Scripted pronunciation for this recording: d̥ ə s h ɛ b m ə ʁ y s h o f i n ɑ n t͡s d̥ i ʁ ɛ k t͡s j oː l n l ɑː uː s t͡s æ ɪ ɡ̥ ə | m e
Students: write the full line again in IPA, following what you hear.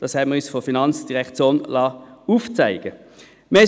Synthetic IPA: d̥ ɑ s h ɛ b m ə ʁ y s f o f i n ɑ n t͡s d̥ i ʁ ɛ k t͡s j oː n l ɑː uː f t͡s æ ɪ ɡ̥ ə | m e